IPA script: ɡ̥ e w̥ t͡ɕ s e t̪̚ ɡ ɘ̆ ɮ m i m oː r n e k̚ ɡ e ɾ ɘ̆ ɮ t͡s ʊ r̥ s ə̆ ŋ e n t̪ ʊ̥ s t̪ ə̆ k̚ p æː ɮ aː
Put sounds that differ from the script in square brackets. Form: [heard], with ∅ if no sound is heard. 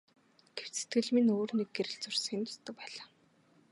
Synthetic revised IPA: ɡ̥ e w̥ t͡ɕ s e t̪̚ ɡ ɘ̆ ɮ m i [n] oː r n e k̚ ɡ e ɾ ɘ̆ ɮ t͡s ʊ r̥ s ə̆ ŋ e n t̪ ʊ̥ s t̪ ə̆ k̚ p æː ɮ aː